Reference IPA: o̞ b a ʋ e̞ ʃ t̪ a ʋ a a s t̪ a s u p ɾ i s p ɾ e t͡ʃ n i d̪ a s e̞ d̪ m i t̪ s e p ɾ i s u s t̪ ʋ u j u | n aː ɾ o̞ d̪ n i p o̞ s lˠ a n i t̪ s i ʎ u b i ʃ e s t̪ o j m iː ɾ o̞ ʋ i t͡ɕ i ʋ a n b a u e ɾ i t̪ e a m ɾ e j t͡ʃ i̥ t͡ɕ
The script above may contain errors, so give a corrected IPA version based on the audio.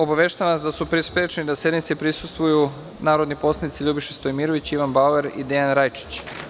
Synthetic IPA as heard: o̞ b a ʋ e̞ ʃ t̪ a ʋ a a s d̪ a s u p ɾ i s p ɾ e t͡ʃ n i d̪ a s e̞ d̪ n i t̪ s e p ɾ i s u s t̪ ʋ u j u | n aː ɾ o̞ d̪ n i p o̞ s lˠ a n i t̪ s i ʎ u b i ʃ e s t̪ o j m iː ɾ o̞ ʋ i t͡ɕ i ʋ a n b a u e ɾ i d̪ e a n ɾ a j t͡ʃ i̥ t͡ɕ